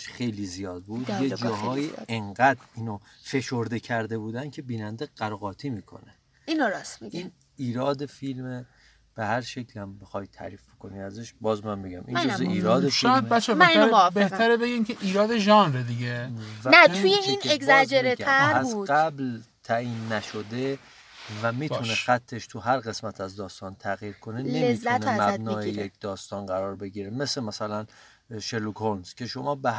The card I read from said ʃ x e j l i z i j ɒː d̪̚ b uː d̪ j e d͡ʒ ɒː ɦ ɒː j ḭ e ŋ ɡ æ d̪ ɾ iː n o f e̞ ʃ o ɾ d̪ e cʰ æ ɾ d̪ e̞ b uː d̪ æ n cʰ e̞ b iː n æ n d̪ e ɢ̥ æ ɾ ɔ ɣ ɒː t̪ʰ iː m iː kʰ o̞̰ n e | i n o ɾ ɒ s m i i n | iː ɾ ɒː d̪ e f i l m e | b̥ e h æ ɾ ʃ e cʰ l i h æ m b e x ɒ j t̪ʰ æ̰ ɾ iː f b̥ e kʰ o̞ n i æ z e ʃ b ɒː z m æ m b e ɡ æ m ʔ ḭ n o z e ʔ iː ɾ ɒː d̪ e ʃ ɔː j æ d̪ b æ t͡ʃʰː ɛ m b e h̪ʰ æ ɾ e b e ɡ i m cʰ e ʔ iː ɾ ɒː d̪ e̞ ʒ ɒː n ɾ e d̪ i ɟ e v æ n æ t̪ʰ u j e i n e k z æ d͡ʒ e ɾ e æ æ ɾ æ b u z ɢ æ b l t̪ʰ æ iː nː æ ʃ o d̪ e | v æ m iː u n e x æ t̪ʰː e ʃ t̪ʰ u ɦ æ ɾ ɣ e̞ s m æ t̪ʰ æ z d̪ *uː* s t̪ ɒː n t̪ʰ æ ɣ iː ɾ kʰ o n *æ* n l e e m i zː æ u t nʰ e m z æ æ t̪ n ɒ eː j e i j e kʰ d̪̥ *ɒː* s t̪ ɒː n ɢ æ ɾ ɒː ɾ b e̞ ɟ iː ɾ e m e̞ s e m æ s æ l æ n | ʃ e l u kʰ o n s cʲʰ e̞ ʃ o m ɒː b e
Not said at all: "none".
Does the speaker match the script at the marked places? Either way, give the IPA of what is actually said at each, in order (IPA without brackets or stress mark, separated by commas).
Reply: ɒː, e, ɒː